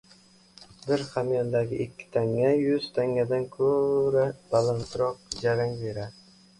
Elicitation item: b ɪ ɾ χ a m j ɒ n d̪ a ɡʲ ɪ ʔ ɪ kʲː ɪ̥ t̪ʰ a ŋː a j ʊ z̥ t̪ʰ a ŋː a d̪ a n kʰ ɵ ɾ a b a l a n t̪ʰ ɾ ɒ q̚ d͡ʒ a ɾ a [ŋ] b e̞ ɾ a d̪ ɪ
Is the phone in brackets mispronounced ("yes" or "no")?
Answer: no